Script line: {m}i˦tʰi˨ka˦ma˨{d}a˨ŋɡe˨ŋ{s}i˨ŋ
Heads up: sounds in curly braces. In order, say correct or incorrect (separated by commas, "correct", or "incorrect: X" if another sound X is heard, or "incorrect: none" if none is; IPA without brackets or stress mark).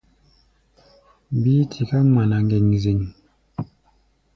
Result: incorrect: b, incorrect: n, incorrect: z